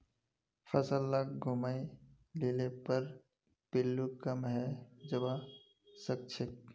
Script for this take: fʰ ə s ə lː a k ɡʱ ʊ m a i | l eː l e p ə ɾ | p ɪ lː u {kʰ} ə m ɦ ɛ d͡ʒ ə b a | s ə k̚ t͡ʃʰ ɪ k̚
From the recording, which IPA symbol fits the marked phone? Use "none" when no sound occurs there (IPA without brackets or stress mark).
k